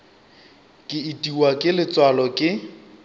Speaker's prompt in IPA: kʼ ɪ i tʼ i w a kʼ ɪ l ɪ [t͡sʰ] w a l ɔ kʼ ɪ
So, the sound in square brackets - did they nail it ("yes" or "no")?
no